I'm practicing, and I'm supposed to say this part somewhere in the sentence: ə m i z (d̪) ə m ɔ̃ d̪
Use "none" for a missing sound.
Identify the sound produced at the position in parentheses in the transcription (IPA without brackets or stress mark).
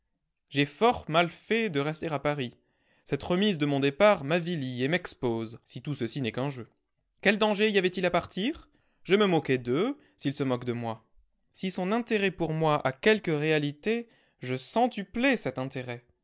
d̪